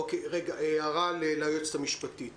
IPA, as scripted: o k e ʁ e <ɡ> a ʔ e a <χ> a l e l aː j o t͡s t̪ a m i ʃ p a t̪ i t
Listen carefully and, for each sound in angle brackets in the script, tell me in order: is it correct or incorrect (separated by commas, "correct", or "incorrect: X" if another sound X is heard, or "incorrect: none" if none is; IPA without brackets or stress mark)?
correct, incorrect: ʁ